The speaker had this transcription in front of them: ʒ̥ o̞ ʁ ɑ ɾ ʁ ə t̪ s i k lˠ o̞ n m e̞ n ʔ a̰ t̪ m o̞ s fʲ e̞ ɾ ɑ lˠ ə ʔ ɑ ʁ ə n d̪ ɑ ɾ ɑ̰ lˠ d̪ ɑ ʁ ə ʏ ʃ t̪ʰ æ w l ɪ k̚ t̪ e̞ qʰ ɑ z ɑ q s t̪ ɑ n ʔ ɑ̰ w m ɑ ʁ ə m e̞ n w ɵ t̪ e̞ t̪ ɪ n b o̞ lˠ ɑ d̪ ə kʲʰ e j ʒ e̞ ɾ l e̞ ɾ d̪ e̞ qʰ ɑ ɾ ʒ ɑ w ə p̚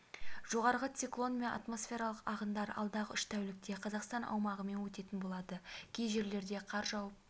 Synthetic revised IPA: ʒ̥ o̞ ʁ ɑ ɾ ʁ ə t̪ s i k lˠ o̞ n m e̞ n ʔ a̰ t̪ m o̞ s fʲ e̞ ɾ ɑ lˠ ə q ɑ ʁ ə n d̪ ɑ ɾ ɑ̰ lˠ d̪ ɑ ʁ ə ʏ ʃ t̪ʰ æ w l ɪ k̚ t̪ e̞ qʰ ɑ z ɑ q s t̪ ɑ n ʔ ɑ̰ w m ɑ ʁ ə m e̞ n w ɵ t̪ e̞ t̪ ɪ n b o̞ lˠ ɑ d̪ ə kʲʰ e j ʒ e̞ ɾ l e̞ ɾ d̪ e̞ qʰ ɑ ɾ ʒ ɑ w ə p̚